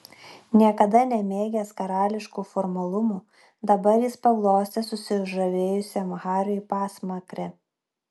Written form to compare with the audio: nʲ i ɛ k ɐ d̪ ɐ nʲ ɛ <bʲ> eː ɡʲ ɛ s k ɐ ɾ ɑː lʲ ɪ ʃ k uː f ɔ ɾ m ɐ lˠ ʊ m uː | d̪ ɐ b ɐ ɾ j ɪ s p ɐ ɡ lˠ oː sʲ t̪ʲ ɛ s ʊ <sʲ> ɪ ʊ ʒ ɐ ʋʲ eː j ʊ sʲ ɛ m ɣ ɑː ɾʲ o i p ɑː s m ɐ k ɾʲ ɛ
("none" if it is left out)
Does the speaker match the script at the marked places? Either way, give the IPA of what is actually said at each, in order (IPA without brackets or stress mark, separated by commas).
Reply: mʲ, sʲ